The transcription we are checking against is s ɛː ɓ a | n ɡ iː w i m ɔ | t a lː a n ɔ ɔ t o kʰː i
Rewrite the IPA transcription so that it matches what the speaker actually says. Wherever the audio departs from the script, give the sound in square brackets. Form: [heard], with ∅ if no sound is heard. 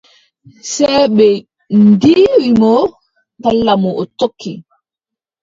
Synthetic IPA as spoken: s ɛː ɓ [ɛ] | n [d] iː w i m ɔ | t a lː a [m] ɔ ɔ t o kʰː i